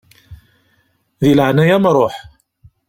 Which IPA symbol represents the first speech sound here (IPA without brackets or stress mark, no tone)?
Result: ð